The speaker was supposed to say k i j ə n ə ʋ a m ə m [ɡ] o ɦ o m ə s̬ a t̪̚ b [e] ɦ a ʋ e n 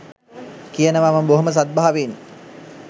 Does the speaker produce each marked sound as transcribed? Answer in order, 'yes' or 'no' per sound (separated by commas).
no, no